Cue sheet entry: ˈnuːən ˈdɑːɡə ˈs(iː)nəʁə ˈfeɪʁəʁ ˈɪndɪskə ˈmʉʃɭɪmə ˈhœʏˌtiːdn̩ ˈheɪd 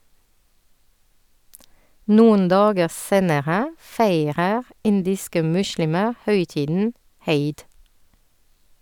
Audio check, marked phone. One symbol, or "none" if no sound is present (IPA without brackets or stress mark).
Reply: eː